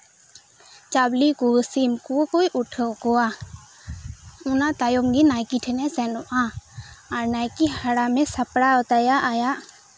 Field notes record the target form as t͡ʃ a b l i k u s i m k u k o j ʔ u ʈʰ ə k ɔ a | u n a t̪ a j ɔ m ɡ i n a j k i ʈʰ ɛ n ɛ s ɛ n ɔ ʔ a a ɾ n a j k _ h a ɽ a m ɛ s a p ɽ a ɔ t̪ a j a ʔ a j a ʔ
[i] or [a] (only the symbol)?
i